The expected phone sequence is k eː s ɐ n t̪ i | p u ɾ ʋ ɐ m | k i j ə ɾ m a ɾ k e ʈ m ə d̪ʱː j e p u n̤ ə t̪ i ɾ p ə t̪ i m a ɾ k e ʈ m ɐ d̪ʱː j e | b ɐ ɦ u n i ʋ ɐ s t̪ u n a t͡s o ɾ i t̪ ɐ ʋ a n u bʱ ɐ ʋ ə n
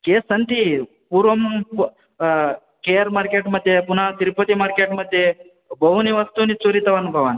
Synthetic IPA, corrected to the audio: k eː s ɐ n t̪ i | p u ɾ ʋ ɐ m | k e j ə ɾ m a ɾ k e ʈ m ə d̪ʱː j e p u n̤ a t̪ i ɾ p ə t̪ i m a ɾ k e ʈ m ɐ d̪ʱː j e | b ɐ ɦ u n i ʋ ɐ s t̪ u n i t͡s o ɾ i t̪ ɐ ʋ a n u bʱ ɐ ʋ a n